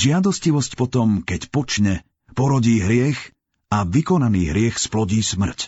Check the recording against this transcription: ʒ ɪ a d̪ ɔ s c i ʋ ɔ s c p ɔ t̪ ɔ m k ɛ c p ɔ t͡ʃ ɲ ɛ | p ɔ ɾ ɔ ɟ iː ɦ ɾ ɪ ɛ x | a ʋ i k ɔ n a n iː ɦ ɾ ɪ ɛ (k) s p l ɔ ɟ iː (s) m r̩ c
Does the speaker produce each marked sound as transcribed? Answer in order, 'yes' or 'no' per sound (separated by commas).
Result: no, yes